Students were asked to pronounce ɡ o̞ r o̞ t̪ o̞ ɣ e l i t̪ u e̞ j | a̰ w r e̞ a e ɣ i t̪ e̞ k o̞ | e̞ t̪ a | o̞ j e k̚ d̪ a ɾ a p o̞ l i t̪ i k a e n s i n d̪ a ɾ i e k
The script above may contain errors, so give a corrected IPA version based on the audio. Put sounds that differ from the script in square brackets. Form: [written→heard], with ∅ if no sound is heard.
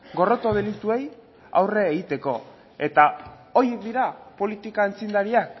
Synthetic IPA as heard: ɡ o̞ r o̞ t̪ o̞ [ɣ→ð] e l i t̪ u e̞ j | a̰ w r e̞ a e ɣ i t̪ e̞ k o̞ | e̞ t̪ a | o̞ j e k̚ d̪ [a→i] ɾ a p o̞ l i t̪ i k a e n [s→t͡s] i n d̪ a ɾ i [e→a] k